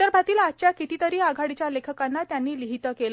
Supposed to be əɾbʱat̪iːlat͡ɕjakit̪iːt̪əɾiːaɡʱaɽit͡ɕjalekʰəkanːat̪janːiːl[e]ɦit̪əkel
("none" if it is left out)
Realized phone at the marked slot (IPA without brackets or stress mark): i